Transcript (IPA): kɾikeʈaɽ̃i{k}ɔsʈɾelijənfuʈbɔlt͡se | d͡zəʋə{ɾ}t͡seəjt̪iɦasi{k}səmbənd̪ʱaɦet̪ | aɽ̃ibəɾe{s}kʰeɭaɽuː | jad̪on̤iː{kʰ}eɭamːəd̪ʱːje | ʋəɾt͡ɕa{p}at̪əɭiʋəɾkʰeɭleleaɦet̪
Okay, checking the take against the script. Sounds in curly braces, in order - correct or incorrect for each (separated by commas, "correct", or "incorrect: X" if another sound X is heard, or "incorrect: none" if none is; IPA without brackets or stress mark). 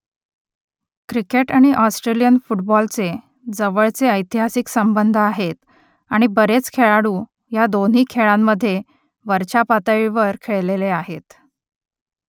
incorrect: ʔ, incorrect: ɭ, correct, incorrect: t͡s, correct, correct